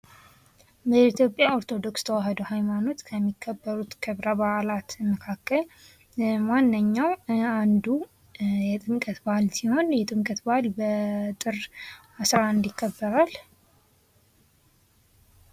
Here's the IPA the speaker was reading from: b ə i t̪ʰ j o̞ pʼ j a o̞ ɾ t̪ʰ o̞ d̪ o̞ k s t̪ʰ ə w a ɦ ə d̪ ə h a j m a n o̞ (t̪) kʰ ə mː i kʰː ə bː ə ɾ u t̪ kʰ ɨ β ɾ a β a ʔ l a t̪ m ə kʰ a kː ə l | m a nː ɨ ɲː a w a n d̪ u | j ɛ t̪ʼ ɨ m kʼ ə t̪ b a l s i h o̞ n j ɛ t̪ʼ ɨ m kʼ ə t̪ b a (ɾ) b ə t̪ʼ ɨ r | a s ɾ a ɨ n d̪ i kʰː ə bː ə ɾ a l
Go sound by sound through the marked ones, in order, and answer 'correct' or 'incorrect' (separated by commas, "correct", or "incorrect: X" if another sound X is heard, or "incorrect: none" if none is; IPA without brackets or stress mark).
correct, incorrect: l